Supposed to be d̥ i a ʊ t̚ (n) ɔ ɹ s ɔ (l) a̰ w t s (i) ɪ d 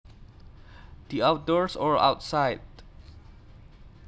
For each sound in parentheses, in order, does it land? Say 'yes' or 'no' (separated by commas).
no, no, no